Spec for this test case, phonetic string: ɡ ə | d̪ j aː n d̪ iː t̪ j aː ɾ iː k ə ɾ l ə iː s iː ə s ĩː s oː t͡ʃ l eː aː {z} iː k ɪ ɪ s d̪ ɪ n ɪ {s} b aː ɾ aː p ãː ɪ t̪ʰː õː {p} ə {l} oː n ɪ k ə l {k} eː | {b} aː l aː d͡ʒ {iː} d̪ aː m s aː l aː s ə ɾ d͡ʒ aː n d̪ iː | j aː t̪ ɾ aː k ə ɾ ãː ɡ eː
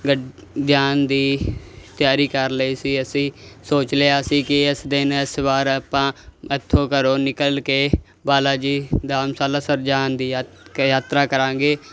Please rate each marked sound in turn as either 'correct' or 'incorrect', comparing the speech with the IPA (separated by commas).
incorrect, correct, incorrect, incorrect, correct, correct, correct